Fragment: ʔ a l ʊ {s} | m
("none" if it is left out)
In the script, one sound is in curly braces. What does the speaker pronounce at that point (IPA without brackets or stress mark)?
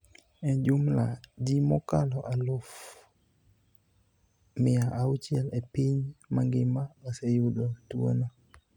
f